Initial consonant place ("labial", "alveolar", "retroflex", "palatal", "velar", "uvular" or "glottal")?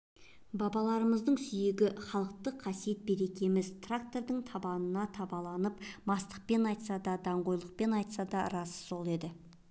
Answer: labial